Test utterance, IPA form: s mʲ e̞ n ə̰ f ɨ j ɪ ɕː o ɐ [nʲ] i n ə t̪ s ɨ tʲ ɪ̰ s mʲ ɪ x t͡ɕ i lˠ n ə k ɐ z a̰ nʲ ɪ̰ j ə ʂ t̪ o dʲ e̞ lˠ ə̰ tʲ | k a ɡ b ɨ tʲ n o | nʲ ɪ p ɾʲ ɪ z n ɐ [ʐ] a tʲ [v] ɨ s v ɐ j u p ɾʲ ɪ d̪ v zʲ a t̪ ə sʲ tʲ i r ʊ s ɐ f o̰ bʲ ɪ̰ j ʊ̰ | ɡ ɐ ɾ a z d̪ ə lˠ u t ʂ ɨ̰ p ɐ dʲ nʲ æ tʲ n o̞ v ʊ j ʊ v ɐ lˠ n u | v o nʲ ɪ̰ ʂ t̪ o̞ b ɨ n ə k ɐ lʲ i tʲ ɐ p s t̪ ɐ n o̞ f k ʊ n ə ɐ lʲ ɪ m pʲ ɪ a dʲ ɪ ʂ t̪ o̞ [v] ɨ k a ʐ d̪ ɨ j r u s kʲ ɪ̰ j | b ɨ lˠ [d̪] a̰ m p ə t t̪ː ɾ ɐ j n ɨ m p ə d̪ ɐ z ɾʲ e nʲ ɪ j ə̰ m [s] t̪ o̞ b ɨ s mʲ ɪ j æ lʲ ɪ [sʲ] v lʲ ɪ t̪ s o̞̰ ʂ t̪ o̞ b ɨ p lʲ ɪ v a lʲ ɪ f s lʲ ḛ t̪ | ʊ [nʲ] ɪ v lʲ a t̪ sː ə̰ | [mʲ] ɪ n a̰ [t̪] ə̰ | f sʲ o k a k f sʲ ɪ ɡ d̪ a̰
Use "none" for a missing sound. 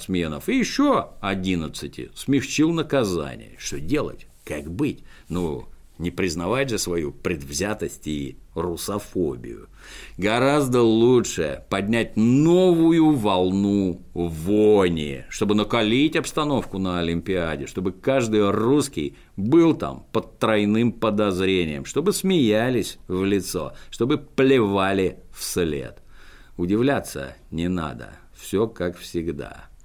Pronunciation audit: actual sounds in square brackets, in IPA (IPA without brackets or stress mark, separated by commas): dʲ, v, ʐ, b, t̪, ʂ, sʲ, dʲ, nʲ, d̪